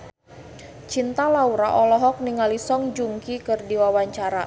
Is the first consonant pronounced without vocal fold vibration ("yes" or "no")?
yes